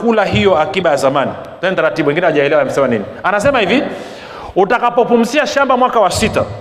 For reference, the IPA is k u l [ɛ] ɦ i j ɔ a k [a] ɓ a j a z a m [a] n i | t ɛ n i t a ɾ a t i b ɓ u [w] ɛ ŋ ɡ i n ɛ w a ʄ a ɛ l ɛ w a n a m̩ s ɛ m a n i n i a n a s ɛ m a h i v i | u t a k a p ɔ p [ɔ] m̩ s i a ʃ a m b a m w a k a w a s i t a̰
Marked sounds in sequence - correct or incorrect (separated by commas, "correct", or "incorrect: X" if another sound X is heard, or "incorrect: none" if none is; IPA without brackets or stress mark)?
incorrect: a, incorrect: i, correct, correct, incorrect: u